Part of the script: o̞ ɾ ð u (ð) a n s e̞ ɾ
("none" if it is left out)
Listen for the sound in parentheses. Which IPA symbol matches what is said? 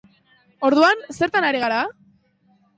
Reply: none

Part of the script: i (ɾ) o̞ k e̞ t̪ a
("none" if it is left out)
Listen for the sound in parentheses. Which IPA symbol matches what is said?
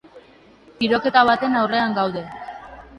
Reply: ɾ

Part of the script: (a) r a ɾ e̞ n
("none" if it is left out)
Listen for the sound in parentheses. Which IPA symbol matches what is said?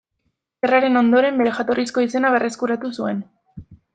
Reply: e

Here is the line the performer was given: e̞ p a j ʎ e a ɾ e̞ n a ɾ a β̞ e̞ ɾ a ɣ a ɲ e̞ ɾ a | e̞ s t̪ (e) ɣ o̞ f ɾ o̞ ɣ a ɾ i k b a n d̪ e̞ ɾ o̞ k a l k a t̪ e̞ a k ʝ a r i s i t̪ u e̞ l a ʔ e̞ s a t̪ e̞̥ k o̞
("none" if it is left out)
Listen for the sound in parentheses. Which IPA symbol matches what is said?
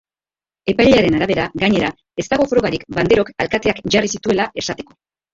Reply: a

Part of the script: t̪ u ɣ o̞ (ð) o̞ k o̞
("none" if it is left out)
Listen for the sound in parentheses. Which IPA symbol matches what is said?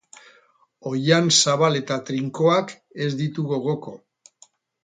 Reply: ɣ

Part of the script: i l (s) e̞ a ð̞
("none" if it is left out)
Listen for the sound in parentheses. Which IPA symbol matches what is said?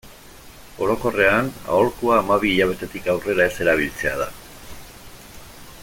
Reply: t͡s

